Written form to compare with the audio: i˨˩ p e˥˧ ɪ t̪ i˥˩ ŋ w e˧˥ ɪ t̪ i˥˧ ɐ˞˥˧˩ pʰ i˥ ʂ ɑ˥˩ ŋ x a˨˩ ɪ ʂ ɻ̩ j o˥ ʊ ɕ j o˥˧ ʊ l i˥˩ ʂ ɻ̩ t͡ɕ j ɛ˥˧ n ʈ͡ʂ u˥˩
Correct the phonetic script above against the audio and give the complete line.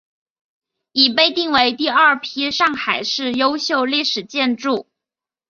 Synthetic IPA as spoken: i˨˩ p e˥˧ ɪ t̪ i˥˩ ŋ w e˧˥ ɪ t̪ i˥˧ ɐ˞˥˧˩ pʰ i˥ ʂ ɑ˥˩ ŋ x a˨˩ ɪ ʂ ɻ̩ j o˥ ʊ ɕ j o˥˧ ʊ l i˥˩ ʂ ɻ̩ t͡ɕ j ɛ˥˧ n ʈ͡ʂ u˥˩